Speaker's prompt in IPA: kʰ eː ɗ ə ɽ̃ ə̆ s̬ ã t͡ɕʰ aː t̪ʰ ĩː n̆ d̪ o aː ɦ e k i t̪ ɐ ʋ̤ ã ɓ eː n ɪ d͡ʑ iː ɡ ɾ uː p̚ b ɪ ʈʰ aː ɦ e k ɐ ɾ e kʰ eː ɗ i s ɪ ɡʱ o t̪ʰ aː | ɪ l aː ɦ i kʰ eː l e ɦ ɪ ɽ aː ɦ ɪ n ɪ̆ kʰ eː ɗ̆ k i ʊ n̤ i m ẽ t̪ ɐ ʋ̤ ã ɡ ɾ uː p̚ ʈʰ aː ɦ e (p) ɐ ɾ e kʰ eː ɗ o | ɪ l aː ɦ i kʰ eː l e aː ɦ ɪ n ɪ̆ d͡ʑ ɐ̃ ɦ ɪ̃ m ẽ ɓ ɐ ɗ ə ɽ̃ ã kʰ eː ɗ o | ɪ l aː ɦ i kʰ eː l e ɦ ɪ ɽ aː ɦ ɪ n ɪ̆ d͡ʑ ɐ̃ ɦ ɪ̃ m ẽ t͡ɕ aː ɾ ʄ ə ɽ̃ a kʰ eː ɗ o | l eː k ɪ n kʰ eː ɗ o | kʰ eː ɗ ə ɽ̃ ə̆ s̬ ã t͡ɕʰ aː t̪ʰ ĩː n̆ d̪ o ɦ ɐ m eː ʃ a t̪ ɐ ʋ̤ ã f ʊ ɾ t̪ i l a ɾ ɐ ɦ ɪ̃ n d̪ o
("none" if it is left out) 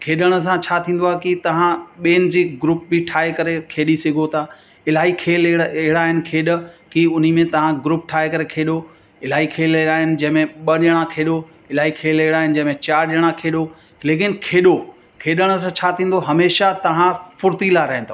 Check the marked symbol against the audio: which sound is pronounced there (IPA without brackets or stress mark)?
k